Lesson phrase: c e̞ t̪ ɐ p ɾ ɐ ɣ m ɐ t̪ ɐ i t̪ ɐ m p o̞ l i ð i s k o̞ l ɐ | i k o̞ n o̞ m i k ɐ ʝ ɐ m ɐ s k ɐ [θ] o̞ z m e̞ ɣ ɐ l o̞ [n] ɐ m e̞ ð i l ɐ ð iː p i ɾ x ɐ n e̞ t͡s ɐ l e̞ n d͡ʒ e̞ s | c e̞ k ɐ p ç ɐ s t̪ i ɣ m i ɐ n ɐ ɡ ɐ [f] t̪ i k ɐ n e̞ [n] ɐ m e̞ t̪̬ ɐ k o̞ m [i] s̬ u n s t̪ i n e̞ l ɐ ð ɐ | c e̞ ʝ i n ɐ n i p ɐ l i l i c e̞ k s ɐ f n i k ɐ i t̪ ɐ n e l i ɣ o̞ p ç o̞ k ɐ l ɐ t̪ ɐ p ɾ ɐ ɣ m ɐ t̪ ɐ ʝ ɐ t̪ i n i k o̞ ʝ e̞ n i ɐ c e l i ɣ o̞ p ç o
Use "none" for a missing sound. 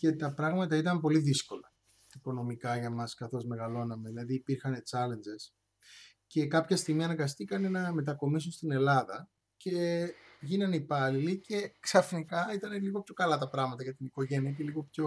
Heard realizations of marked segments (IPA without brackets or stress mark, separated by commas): θ, n, s, n, i